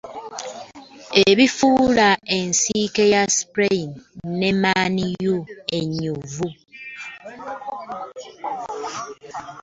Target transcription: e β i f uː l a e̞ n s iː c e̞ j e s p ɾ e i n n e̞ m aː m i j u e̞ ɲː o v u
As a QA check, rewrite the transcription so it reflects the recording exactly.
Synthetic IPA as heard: e β i f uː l a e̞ n s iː k e̞ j a s p ɾ e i n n e̞ m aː n i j u e̞ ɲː u v u